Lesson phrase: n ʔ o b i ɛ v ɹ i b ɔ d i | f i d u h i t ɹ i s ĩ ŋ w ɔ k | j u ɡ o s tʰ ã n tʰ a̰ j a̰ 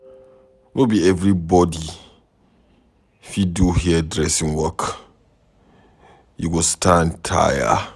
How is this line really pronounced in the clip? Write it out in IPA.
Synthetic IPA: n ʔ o b i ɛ v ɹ i b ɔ d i | f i d u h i d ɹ ɛ s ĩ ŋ w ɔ k | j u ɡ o s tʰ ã n tʰ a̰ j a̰